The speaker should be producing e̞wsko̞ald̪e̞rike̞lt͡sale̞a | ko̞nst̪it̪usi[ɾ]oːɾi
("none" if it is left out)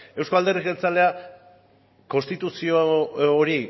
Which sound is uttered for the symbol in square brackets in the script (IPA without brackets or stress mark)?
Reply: none